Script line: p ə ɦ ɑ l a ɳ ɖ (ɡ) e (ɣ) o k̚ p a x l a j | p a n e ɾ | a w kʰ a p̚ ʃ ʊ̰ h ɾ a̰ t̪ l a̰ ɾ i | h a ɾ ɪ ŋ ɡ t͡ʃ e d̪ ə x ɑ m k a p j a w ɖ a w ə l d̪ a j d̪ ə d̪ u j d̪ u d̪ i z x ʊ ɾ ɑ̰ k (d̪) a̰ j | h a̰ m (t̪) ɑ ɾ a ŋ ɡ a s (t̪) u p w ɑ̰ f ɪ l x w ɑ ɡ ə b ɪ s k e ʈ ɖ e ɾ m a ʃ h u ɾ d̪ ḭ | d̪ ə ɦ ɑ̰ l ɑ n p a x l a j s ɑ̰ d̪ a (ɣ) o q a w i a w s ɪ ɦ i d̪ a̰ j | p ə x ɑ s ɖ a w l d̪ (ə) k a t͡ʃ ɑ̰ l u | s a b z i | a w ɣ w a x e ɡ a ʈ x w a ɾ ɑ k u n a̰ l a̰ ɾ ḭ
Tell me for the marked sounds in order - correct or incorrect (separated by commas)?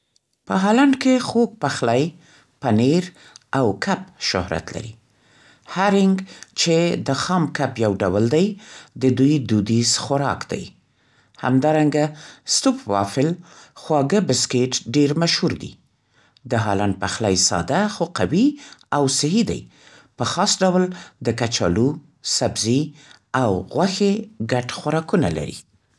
incorrect, incorrect, correct, incorrect, correct, incorrect, correct